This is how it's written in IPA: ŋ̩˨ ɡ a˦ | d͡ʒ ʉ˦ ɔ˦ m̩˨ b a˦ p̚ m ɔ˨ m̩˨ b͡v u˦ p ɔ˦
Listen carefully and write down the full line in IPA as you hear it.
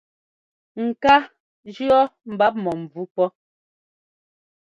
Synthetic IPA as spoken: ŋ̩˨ k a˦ | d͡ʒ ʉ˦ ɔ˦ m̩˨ b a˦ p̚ m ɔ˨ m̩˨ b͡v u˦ p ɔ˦